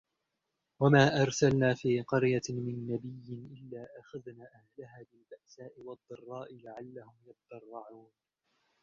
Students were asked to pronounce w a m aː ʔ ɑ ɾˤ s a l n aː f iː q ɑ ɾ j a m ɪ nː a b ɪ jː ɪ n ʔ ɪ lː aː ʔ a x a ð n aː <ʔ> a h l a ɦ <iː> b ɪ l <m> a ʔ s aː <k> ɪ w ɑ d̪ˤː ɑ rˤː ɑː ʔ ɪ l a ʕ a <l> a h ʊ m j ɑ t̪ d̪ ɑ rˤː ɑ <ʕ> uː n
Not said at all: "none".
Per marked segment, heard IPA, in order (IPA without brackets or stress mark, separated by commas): ʔ, aː, b, ʔ, lː, ʕ